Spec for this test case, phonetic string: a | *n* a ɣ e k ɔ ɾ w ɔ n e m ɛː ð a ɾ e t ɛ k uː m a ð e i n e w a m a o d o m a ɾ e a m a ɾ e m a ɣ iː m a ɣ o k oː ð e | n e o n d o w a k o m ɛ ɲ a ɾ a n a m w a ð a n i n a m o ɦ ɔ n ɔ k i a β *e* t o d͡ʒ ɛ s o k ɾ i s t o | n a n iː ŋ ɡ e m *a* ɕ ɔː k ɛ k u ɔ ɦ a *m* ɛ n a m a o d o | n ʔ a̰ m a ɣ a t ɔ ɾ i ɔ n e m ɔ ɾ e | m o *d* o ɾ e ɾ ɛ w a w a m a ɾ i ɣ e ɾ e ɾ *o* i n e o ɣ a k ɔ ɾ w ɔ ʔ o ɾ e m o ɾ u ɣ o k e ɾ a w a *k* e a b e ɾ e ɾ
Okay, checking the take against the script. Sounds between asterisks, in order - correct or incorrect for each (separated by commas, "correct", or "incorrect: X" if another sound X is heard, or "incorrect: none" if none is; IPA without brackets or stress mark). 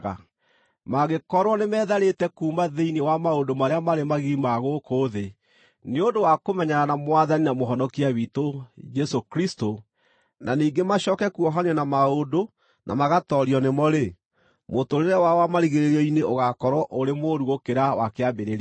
incorrect: m, incorrect: i, correct, incorrect: ɲ, incorrect: t, incorrect: ɔ, correct